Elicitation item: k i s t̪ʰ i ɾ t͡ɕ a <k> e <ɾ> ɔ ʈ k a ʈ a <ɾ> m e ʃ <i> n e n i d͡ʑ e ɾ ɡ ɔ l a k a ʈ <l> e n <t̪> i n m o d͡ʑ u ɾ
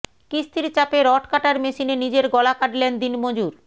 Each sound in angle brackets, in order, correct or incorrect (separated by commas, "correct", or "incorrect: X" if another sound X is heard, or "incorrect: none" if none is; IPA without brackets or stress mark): incorrect: p, correct, correct, correct, correct, incorrect: d̪